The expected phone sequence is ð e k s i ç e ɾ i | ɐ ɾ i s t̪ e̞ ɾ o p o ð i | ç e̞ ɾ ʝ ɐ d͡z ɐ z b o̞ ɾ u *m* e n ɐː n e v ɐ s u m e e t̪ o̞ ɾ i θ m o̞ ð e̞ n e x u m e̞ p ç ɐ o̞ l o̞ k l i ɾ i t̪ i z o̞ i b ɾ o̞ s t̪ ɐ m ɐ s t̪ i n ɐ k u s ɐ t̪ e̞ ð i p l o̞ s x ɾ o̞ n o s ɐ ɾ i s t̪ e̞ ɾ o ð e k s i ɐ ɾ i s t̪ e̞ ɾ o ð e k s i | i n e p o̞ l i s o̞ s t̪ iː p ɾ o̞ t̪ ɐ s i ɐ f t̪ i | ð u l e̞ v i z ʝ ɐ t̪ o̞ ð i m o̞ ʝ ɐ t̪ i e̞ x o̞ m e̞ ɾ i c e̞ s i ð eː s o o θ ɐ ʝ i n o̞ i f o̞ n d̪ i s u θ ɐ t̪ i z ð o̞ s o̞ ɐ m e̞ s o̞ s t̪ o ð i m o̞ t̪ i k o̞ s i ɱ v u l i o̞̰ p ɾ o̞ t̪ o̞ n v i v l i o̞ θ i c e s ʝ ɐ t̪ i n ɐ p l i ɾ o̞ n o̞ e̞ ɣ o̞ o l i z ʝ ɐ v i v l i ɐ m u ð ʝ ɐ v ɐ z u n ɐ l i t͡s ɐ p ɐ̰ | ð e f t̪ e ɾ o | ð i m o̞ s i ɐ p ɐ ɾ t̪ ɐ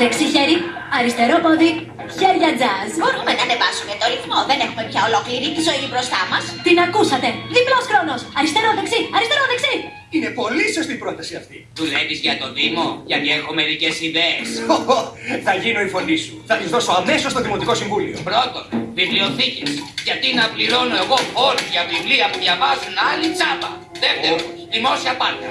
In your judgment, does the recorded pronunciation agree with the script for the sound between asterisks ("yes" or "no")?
yes